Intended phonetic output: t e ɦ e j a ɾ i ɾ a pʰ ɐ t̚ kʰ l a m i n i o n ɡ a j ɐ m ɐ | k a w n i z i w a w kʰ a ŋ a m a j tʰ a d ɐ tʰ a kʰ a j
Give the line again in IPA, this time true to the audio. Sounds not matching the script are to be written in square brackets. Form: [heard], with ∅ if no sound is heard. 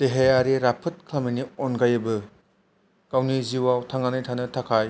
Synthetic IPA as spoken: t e ɦ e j a ɾ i ɾ a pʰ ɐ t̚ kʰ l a m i n i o n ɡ a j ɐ [b] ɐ | k a w n i z i w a w [tʰ] a ŋ a [n] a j tʰ a [n] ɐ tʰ a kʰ a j